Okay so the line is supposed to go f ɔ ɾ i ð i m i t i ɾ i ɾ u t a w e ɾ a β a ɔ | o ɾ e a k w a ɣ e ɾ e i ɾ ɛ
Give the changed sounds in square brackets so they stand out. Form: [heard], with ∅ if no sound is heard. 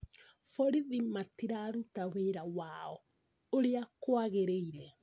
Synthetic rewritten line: f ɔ ɾ i ð i m [a] t i ɾ [a] ɾ u t a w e ɾ a [w] a ɔ | o ɾ e a k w a ɣ e ɾ e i ɾ ɛ

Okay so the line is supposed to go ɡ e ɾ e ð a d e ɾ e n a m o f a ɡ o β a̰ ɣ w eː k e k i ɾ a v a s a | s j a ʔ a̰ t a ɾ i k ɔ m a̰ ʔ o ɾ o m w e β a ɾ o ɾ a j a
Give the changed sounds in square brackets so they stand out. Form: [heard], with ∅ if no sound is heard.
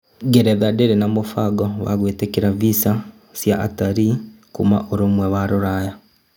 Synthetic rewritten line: ɡ e ɾ e ð a d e ɾ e n a m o f a ɡ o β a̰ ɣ w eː [t] e k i ɾ a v [i] s a | s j a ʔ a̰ t a ɾ i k [u] m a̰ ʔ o ɾ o m w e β a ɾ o ɾ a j a

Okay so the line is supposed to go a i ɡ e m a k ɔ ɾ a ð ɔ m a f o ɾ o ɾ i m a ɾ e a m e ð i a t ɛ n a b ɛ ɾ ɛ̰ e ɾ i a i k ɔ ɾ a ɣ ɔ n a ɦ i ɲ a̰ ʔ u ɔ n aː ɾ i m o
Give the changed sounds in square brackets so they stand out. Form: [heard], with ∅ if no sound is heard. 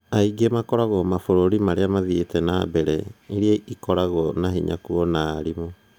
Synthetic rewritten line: a i ɡ e m a k ɔ ɾ a [ɣ] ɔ m a f o ɾ o ɾ i m a ɾ e a m [a] ð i [e] t ɛ n a b ɛ ɾ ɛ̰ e ɾ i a i k ɔ ɾ a ɣ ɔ n a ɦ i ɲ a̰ [k] u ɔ n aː ɾ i m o

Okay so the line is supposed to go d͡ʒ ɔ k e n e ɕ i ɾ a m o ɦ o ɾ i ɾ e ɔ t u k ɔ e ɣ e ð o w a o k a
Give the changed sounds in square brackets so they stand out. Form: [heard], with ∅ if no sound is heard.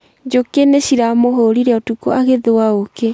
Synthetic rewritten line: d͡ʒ [o] k e n e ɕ i ɾ a m o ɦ o ɾ i ɾ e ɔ t u k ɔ [a] ɣ e ð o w a o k [e]

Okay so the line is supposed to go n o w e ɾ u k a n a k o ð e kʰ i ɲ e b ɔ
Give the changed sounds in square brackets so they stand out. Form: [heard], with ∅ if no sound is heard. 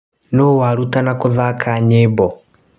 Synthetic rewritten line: n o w [a] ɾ u [t] a n a k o ð [a] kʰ [a] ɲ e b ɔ

